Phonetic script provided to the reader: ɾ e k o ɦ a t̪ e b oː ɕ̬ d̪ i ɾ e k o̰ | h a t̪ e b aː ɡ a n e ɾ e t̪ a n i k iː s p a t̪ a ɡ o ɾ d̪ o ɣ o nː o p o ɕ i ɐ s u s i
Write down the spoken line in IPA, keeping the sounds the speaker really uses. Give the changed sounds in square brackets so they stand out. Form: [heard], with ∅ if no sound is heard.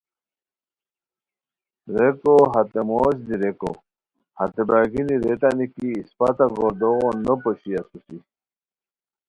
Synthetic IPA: ɾ e k o ɦ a t̪ e [m] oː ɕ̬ d̪ i ɾ e k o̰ | h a t̪ e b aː ɡ [i] n [i] ɾ e t̪ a n i k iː s p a t̪ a ɡ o ɾ d̪ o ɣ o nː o p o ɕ i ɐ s u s i